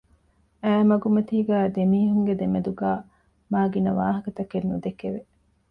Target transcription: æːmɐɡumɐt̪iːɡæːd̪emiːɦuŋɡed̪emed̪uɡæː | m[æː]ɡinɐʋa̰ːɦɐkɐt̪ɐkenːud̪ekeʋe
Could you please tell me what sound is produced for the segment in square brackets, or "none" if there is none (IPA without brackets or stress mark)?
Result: aː